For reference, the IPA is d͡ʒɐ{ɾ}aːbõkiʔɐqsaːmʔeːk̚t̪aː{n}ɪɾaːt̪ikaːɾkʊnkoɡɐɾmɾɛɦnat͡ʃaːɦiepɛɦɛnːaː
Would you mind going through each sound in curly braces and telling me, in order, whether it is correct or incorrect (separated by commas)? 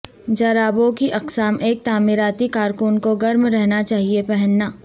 correct, incorrect